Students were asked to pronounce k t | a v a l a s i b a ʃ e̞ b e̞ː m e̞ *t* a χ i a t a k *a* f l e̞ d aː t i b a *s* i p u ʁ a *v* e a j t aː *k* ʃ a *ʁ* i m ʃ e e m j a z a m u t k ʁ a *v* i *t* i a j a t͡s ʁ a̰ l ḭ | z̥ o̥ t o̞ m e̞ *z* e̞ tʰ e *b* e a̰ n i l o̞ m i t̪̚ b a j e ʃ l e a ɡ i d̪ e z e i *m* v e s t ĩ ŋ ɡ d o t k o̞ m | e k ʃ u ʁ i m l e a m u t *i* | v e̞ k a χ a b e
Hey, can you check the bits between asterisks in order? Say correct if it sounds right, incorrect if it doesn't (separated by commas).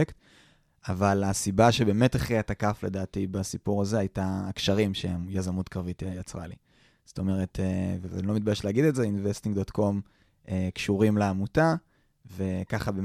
correct, correct, correct, incorrect, correct, correct, correct, correct, incorrect, incorrect, incorrect, incorrect